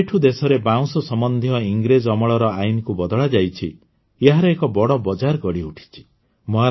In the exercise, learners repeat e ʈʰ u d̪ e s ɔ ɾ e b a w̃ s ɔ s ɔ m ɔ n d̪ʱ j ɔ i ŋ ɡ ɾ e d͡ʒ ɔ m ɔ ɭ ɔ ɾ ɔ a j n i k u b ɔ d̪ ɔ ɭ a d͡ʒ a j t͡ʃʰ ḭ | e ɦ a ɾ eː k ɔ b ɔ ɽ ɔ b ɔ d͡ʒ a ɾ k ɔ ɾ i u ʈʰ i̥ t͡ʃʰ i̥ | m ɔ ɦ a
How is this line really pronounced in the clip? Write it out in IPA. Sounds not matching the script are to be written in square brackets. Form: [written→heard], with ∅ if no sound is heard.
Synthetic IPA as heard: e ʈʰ u d̪ e s ɔ ɾ e b a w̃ s ɔ s ɔ m ɔ n d̪ʱ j ɔ i ŋ ɡ ɾ e d͡ʒ ɔ m ɔ ɭ ɔ ɾ ɔ a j n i k u b ɔ d̪ ɔ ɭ a d͡ʒ a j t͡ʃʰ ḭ | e ɦ a ɾ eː k ɔ b ɔ ɽ ɔ b ɔ d͡ʒ a ɾ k ɔ [ɾ→ɽ] i u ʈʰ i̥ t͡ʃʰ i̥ | m ɔ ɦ a